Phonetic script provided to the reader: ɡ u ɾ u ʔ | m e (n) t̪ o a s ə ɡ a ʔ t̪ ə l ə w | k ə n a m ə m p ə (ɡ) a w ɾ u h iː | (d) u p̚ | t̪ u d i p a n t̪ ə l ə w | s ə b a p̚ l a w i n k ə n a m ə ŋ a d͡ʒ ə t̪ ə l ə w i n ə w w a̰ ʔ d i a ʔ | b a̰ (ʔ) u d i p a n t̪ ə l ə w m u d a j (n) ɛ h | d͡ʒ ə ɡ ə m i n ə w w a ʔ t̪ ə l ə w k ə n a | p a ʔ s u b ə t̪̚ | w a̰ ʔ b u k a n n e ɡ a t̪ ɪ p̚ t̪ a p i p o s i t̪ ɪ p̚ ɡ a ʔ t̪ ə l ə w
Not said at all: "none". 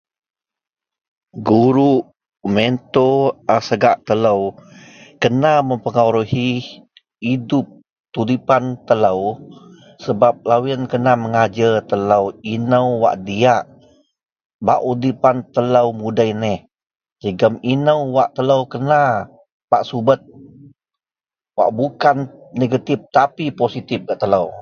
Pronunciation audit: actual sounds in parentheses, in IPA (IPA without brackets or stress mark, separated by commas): n, ŋ, d, ʔ, n